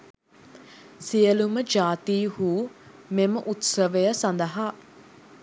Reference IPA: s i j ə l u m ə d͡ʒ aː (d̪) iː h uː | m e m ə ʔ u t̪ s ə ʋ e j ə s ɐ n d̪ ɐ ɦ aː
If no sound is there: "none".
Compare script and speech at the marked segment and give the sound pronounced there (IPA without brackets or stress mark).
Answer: t̪